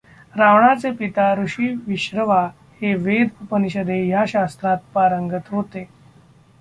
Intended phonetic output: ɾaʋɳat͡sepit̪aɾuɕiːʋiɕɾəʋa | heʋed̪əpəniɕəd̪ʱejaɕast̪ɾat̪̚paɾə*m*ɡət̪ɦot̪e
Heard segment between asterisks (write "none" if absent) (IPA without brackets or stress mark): ŋ